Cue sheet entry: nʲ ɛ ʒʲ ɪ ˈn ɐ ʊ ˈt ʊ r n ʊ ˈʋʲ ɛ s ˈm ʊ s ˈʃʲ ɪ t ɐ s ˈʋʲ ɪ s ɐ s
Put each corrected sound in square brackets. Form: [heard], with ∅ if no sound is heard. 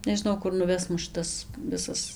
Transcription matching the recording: nʲ ɛ ʒʲ ɪ ˈn ɐ ʊ [ˈk] ʊ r n ʊ ˈʋʲ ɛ s ˈm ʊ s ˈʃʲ ɪ t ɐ s ˈʋʲ ɪ s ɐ s